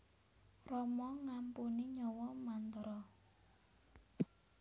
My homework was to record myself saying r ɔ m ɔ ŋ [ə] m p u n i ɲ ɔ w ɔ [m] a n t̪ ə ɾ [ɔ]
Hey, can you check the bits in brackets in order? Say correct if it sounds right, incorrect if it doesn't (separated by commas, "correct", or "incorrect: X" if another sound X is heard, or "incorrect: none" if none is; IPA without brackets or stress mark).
incorrect: a, correct, correct